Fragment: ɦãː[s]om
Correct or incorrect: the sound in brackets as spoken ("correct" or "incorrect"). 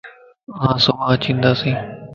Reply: correct